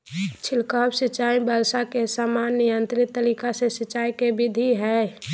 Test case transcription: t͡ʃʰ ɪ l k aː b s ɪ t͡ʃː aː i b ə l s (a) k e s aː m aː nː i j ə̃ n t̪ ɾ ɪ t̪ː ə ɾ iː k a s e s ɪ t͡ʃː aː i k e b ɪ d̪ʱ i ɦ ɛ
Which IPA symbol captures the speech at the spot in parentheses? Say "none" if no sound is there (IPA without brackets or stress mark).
a